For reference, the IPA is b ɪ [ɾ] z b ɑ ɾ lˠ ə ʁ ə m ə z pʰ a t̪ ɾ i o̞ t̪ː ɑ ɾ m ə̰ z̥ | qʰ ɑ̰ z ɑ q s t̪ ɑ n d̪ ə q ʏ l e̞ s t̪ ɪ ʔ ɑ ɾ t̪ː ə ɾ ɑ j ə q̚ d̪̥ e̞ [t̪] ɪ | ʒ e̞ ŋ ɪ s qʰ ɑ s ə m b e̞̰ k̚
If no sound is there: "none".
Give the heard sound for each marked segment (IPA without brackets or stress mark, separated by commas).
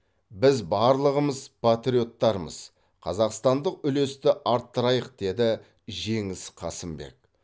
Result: none, d̪